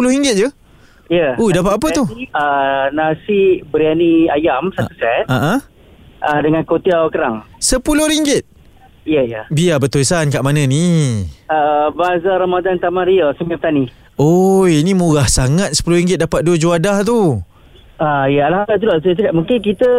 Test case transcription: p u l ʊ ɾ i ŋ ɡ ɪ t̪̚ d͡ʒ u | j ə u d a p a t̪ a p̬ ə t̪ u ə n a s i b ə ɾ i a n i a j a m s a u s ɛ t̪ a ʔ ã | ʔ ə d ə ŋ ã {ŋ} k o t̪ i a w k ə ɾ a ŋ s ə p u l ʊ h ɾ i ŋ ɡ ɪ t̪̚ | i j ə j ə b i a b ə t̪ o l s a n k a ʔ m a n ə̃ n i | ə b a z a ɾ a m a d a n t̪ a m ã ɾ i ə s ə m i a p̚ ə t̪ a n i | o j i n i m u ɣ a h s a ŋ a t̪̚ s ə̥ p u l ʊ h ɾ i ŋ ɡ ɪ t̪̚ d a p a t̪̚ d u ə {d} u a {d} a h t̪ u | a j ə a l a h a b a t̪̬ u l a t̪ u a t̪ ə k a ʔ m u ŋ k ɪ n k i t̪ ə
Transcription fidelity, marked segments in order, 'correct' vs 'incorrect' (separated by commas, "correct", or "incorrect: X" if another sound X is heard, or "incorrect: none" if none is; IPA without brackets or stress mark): incorrect: n, incorrect: d͡ʒ, correct